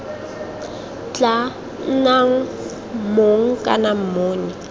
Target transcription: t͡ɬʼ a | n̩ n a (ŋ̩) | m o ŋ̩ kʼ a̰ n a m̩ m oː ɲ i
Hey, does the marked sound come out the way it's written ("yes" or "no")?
yes